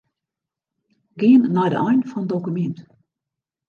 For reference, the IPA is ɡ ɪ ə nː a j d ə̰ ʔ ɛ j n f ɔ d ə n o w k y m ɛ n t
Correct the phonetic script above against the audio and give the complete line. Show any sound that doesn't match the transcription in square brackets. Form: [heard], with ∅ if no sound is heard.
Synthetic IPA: ɡ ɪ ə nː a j d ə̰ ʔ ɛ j n f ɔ [n] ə [d] o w k y m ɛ n t